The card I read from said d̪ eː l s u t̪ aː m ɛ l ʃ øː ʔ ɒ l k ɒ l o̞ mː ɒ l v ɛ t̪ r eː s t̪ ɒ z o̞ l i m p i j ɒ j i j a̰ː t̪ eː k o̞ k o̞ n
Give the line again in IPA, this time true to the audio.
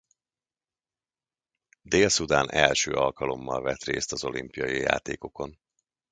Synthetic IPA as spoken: d̪ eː l s u d̪ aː n ɛ l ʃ øː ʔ ɒ l k ɒ l o̞ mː ɒ l v ɛ t̪ r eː s t̪ ɒ z o̞ l i m p i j ɒ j i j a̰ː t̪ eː k o̞ k o̞ n